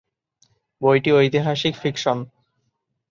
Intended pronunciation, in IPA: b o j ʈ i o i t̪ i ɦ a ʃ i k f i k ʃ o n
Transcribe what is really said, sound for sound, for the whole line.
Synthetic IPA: b o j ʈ i o j t̪ i ɦ a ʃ i k f i k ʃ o n

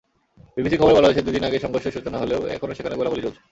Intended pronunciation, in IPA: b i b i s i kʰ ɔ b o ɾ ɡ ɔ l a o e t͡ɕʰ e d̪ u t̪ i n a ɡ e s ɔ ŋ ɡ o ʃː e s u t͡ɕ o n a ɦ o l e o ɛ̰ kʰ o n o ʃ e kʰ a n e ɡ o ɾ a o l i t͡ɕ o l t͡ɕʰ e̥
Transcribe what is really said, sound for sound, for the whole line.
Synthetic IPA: b i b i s i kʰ ɔ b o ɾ b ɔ l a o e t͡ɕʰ e d̪ u d̪ i n a ɡ e ʃ ɔ ŋ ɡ o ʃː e ʃ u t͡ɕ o n a ɦ o l e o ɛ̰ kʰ o n o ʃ e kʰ a n e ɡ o l a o l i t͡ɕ o l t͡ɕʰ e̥

